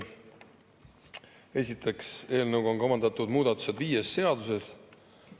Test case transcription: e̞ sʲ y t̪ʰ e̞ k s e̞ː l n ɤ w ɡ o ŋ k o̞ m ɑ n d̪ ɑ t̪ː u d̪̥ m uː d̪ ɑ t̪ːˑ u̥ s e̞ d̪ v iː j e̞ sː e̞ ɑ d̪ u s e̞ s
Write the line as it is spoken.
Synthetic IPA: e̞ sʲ i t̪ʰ e̞ k s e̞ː l n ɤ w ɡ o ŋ k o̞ m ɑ n d̪ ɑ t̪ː u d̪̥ m uː d̪ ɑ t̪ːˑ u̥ s e̞ d̪ v iː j e̞ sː e̞ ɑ d̪ u s e̞ s